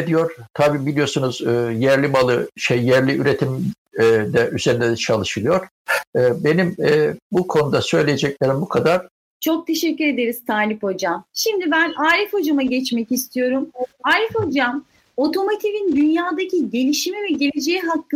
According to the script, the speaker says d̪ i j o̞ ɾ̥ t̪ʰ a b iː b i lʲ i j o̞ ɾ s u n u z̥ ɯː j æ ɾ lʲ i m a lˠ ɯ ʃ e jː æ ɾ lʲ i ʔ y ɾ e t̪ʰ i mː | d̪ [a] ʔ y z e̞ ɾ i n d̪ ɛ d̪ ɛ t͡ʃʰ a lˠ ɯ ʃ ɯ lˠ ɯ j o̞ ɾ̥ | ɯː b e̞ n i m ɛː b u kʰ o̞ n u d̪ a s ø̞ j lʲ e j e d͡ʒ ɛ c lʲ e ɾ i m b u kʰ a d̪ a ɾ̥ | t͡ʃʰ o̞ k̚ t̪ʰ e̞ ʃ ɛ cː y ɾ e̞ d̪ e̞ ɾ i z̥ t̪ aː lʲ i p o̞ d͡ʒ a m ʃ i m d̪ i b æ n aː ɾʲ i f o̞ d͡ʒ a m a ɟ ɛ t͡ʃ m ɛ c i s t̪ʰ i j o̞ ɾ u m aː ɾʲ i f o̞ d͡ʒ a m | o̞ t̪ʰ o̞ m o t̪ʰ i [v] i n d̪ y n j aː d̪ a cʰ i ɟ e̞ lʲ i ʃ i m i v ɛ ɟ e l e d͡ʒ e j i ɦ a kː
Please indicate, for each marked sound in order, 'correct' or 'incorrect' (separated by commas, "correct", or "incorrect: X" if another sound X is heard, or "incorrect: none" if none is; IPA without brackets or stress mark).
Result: incorrect: ɛ, correct